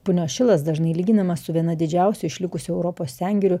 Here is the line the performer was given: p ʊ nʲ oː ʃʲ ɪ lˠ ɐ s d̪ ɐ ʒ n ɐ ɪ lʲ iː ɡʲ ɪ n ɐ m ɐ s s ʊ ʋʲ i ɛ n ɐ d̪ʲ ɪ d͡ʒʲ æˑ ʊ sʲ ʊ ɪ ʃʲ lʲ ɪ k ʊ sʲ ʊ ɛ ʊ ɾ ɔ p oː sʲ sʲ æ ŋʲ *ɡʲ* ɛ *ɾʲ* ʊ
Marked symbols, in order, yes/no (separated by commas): yes, yes